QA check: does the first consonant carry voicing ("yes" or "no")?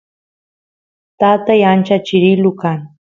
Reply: no